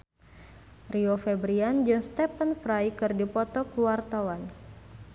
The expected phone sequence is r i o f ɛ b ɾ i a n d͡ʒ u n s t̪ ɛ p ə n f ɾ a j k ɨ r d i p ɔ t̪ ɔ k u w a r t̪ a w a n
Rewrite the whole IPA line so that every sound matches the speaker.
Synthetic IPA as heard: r i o f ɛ b ɾ i a n d͡ʒ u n s t̪ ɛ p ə n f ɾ a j k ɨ r d i p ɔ t̪ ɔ k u w a r t̪ a w a n

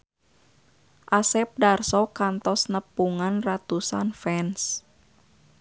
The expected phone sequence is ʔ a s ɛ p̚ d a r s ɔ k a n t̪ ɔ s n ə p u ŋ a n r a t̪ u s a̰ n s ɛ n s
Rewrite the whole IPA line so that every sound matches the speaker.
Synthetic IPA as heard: ʔ a s ɛ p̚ d a r s ɔ k a n t̪ ɔ s n ə p u ŋ a n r a t̪ u s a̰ n f ɛ n s

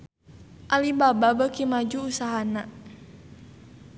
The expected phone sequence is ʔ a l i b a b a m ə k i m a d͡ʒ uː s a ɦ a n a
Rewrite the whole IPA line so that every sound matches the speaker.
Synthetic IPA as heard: ʔ a l i b a b a b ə k i m a d͡ʒ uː s a ɦ a n a

